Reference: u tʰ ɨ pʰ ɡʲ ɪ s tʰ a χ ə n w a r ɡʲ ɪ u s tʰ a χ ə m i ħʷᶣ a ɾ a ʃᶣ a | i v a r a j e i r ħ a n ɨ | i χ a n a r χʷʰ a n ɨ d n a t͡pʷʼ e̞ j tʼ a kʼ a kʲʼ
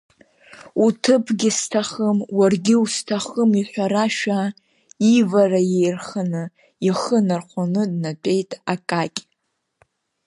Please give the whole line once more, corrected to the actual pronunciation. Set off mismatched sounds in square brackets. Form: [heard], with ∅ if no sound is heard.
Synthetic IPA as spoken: u tʰ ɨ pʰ ɡʲ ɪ s tʰ a χ ə [m] w a r ɡʲ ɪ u s tʰ a χ ə m i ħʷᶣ a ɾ a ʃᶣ a | i v a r a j e [j] r [χ] a n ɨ | i χ [ə] n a r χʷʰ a n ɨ d n a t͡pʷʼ e̞ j tʼ a kʼ a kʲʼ